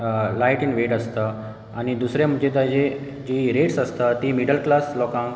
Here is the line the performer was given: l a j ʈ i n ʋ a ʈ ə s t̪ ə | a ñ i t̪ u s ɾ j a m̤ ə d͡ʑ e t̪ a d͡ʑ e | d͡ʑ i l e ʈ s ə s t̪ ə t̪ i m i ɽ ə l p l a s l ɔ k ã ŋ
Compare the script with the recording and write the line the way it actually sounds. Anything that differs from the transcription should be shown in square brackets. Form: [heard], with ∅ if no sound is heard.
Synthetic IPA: l a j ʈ i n ʋ [e] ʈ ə s t̪ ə | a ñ i [d̪] u s ɾ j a m̤ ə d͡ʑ e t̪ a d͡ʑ e | d͡ʑ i [ɾ] e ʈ s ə s t̪ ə t̪ i m i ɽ ə l [k] l a s l ɔ k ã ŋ